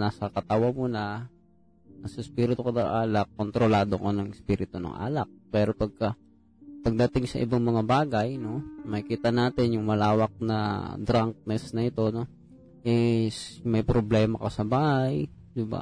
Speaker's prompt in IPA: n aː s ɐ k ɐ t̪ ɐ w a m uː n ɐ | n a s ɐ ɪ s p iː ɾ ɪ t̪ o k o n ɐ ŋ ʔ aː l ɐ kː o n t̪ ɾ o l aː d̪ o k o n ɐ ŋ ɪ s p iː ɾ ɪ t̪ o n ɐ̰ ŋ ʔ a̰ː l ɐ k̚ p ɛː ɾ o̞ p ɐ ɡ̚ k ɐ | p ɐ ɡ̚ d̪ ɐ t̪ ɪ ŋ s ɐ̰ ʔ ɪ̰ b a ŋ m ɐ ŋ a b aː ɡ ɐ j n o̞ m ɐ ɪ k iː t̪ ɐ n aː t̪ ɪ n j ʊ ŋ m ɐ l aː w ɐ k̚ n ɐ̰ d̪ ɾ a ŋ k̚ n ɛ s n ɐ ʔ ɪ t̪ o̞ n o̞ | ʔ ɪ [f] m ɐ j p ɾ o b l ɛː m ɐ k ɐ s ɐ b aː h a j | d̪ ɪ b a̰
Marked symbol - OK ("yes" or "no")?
no